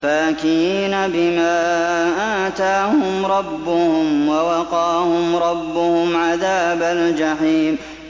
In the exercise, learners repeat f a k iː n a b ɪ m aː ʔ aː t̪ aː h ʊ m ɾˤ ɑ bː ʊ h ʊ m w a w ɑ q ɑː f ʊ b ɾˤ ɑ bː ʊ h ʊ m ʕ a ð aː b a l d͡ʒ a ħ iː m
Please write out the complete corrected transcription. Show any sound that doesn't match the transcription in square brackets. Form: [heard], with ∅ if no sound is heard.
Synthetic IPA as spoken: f a k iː n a b ɪ m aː ʔ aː t̪ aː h ʊ m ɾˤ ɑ bː ʊ h ʊ m w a w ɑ q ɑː [h] ʊ [m] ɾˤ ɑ bː ʊ h ʊ m ʕ a ð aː b a l d͡ʒ a ħ iː m